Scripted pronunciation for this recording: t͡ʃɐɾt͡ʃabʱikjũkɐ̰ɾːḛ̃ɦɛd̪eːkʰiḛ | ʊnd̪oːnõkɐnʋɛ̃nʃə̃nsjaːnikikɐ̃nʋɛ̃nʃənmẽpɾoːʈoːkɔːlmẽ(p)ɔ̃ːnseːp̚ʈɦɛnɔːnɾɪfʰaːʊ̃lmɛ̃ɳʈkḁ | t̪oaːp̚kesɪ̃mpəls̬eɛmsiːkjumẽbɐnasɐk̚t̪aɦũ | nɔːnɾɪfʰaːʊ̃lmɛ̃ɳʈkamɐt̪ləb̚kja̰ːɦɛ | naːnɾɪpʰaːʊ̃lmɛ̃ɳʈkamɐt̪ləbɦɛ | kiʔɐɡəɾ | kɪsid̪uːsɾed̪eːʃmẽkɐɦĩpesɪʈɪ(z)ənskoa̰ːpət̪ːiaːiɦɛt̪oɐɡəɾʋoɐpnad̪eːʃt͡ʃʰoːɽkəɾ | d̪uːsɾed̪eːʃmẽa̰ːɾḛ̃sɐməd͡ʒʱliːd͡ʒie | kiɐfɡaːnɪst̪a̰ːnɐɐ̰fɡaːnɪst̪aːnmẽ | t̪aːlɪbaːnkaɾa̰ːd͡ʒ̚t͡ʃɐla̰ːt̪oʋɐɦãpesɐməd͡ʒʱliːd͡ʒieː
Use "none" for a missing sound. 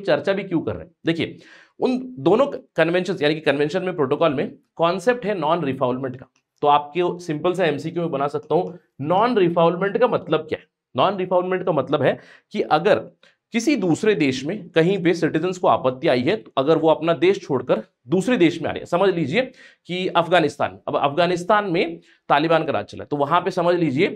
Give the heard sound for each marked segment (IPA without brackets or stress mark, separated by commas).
k, z